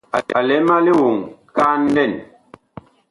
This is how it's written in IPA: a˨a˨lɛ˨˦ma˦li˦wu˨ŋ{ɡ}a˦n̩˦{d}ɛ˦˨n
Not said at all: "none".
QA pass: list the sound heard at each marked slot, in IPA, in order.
k, d

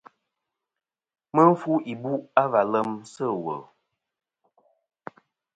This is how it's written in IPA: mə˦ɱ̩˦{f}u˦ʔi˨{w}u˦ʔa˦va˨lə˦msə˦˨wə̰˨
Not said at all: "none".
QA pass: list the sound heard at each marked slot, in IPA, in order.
f, b

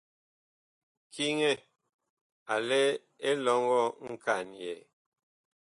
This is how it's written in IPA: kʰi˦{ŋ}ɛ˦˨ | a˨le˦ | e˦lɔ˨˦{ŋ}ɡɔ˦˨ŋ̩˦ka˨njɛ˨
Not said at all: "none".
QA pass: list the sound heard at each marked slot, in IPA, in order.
ŋ, ŋ

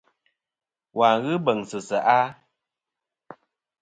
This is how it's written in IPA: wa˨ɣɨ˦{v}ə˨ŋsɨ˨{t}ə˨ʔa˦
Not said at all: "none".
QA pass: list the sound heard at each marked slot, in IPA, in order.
b, s

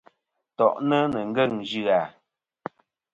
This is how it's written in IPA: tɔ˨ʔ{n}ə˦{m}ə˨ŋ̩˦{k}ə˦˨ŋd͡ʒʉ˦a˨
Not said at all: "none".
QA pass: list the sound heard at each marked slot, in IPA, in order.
n, n, ɡ

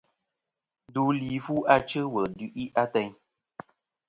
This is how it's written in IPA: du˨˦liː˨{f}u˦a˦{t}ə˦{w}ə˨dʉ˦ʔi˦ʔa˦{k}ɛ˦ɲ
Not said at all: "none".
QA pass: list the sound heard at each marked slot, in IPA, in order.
f, t͡ʃ, w, t

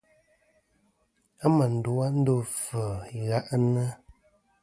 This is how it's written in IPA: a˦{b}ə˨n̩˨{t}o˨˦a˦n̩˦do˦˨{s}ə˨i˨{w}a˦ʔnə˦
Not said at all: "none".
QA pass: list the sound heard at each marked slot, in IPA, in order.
m, d, f, ɣ

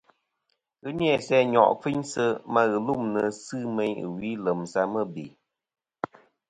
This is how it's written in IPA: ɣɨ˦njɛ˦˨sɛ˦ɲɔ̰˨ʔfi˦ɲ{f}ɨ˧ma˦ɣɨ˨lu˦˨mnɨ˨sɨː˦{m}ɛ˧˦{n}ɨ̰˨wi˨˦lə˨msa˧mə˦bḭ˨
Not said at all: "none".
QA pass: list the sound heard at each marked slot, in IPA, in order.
s, m, ɲ

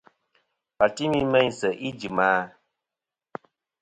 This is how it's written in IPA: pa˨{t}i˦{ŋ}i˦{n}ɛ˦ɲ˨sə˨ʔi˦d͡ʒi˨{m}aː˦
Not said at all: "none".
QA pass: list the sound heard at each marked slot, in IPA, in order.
t, m, m, m

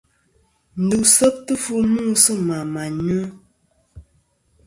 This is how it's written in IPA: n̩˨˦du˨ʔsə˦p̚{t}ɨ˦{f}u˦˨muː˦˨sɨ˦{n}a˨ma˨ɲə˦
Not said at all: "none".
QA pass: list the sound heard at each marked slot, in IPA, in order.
t, f, m

